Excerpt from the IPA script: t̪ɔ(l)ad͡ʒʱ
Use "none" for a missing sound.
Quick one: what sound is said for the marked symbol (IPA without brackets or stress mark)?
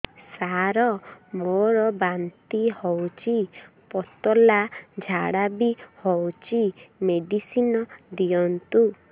l